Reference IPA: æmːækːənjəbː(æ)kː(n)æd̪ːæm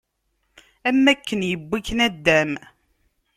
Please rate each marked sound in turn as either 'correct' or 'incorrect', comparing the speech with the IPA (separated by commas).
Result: incorrect, correct